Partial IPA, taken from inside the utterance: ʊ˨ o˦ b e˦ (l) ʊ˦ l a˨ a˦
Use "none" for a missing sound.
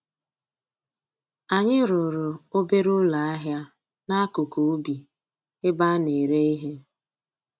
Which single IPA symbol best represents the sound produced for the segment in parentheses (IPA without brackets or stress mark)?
ɾ